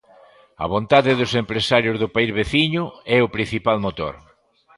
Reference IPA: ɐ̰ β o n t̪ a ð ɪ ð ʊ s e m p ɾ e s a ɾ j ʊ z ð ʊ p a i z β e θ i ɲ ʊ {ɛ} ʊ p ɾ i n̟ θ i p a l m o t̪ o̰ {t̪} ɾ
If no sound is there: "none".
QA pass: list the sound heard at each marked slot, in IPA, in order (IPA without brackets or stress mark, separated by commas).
ɛ, none